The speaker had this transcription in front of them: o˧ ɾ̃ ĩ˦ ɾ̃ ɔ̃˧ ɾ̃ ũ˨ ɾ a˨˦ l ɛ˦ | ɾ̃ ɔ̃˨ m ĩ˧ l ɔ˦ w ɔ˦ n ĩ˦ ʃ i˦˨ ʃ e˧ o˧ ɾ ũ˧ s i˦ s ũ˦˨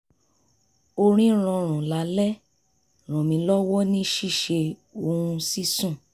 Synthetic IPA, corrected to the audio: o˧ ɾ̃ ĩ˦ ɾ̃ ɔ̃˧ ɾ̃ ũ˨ l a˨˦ l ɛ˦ | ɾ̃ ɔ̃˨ m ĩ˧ l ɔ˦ w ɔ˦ n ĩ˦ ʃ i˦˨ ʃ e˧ o˧ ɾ ũ˧ s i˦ s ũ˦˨